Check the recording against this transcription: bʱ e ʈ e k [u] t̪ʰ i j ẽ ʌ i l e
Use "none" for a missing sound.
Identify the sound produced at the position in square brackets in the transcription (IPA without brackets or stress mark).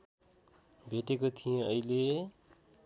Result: o